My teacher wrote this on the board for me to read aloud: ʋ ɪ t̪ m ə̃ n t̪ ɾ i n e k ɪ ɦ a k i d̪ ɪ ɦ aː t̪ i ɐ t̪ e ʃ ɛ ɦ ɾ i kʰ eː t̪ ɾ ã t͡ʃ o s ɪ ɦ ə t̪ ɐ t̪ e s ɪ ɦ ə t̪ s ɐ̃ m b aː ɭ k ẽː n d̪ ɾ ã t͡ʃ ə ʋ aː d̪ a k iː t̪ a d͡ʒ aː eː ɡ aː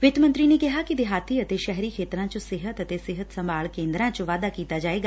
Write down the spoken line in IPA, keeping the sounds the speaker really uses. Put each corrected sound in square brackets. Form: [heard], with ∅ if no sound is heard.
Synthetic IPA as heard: ʋ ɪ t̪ m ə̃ n t̪ ɾ i n e k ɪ ɦ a k i d̪ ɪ ɦ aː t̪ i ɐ t̪ e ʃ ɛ ɦ ɾ i kʰ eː t̪ ɾ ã t͡ʃ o s ɪ ɦ ə t̪ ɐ t̪ e s ɪ ɦ ə t̪ s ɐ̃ m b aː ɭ k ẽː n d̪ ɾ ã t͡ʃ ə ʋ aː d̪ a k iː t̪ a d͡ʒ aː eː ɡ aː

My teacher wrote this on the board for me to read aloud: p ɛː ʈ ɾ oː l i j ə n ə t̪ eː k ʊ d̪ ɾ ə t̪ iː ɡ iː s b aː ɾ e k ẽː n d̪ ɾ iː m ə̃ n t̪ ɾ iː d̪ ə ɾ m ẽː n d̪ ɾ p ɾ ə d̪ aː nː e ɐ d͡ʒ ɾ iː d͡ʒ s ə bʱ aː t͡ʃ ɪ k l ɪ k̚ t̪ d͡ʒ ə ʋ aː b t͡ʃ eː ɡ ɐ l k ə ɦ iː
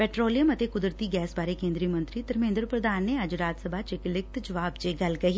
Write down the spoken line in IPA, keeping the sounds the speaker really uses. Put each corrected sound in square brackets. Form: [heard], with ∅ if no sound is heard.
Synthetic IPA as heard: p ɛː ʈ ɾ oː l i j ə [m] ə t̪ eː k ʊ d̪ ɾ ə t̪ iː ɡ [ɛː] s b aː ɾ e k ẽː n d̪ ɾ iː m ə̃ n t̪ ɾ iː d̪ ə ɾ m ẽː n d̪ ɾ p ɾ ə d̪ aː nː e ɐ d͡ʒ ɾ [aː] d͡ʒ s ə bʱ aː t͡ʃ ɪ k l ɪ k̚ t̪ d͡ʒ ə ʋ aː b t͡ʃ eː ɡ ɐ l k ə ɦ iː

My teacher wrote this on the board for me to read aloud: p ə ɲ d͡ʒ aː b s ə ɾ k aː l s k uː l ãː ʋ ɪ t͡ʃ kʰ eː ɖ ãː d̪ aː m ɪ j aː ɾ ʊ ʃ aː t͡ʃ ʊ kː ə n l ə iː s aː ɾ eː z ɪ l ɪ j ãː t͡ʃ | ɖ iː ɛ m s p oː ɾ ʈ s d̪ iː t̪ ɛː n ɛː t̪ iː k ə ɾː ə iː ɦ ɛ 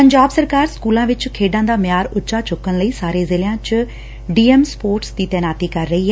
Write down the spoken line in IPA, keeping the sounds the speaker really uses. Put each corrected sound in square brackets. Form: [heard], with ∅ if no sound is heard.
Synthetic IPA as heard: p ə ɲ d͡ʒ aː b s ə ɾ k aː [ɾ] s k uː l ãː ʋ ɪ t͡ʃ kʰ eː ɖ ãː d̪ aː m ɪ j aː ɾ ʊ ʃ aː t͡ʃ ʊ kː ə n l ə iː s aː ɾ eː z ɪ l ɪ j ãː t͡ʃ | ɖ iː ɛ m s p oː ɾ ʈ s d̪ iː t̪ ɛː n [aː] t̪ iː k ə ɾː ə iː ɦ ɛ

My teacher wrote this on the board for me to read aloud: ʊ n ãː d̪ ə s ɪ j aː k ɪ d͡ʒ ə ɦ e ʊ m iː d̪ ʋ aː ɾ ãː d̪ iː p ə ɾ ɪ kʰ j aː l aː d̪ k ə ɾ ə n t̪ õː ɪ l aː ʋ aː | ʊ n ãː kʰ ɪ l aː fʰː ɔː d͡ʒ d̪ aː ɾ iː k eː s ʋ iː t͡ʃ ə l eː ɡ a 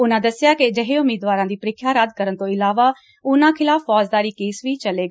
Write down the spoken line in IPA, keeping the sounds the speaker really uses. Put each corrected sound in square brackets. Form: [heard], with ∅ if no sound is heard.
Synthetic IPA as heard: ʊ n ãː d̪ ə s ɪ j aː k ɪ d͡ʒ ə ɦ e ʊ m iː d̪ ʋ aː ɾ ãː d̪ iː p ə ɾ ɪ kʰ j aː [ɾ] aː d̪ k ə ɾ ə n t̪ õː ɪ l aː ʋ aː | ʊ n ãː kʰ ɪ l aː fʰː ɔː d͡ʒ d̪ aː ɾ iː k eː s ʋ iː t͡ʃ ə l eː ɡ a

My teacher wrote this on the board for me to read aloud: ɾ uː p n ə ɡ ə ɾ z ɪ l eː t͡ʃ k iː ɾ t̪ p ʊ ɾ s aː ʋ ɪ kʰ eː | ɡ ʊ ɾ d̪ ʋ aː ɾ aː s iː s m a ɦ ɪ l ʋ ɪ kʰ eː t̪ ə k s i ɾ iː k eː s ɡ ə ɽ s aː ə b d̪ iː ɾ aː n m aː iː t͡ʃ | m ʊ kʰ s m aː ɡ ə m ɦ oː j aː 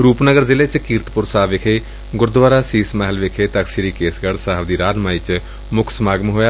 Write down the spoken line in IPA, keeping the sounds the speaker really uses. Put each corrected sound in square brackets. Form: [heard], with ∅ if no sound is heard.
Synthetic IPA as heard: ɾ uː p n ə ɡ ə ɾ z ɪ l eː t͡ʃ k iː ɾ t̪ p ʊ ɾ s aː ʋ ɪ kʰ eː | ɡ ʊ ɾ d̪ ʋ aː ɾ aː s iː s m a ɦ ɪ l ʋ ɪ kʰ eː t̪ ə k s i ɾ iː k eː s ɡ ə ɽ s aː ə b d̪ iː ɾ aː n m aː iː t͡ʃ | m ʊ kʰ s m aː ɡ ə m ɦ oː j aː

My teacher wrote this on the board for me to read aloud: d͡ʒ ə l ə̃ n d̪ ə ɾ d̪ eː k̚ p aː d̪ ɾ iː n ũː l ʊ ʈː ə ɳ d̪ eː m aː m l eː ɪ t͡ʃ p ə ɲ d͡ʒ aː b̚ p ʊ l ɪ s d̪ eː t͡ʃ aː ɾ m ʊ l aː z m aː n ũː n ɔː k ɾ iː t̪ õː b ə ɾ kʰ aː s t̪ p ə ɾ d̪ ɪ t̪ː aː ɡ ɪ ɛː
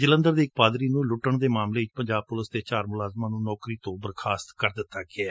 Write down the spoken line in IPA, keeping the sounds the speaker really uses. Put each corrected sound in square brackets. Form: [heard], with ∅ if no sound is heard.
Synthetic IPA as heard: d͡ʒ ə l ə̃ n d̪ ə ɾ d̪ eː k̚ p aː d̪ ɾ iː n ũː l ʊ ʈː ə ɳ d̪ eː m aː m l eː ɪ t͡ʃ p ə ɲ d͡ʒ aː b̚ p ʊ l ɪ s d̪ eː t͡ʃ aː ɾ m ʊ l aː z m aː n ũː n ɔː k ɾ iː t̪ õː b ə ɾ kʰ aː s t̪ [k] ə ɾ d̪ ɪ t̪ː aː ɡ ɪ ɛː

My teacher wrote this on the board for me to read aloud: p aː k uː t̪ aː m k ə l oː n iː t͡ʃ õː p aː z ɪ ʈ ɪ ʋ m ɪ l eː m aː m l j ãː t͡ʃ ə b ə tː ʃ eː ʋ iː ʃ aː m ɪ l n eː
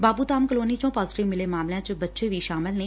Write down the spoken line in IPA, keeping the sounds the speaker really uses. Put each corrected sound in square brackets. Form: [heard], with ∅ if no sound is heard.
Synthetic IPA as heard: [b] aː [p] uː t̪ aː m k ə l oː n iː t͡ʃ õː p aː z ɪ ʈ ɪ ʋ m ɪ l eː m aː m l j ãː t͡ʃ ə b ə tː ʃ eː ʋ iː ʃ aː m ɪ l n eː

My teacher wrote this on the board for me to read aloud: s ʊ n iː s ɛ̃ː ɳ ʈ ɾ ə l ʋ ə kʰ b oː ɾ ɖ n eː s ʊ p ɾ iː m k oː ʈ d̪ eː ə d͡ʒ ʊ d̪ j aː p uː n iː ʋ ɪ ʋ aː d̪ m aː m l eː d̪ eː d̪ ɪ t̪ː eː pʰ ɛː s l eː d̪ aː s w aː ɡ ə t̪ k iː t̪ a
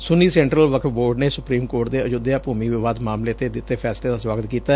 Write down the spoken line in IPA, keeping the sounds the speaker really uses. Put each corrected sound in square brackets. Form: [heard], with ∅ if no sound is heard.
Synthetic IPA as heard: s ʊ n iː s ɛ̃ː ɳ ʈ ɾ ə l ʋ ə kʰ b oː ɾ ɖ n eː s ʊ p ɾ iː m k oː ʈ d̪ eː ə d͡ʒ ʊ d̪ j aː p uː [m] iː ʋ ɪ ʋ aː d̪ m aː m l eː [t̪] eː d̪ ɪ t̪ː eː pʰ ɛː s l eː d̪ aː s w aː ɡ ə t̪ k iː t̪ a

